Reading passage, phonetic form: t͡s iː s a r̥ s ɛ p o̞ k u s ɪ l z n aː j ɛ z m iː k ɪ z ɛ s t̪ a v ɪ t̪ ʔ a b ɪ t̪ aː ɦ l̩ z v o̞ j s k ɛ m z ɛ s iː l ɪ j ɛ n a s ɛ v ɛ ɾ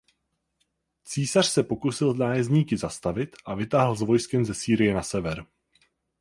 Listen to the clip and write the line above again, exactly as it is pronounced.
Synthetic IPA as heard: t͡s iː s a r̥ s ɛ p o̞ k u s ɪ l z n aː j ɛ z ɲ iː k ɪ z a s t̪ a v ɪ t̪ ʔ a v ɪ t̪ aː ɦ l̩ z v o̞ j s k ɛ m z ɛ s iː ɾ ɪ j ɛ n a s ɛ v ɛ ɾ